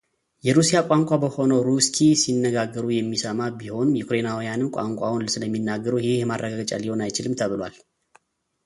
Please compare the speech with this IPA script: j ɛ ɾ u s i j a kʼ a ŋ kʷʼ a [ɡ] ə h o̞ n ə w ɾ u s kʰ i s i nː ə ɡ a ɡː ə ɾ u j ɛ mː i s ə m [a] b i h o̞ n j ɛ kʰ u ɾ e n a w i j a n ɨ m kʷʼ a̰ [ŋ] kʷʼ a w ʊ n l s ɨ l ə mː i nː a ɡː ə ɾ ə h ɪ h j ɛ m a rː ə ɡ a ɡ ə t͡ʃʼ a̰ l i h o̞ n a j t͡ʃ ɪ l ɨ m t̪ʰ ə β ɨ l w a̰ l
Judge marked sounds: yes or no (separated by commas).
no, yes, yes